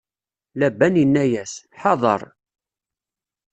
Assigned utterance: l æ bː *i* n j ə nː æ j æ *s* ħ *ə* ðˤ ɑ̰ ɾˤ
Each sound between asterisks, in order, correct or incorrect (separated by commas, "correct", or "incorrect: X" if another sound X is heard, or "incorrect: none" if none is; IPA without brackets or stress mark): incorrect: æ, correct, incorrect: ɑ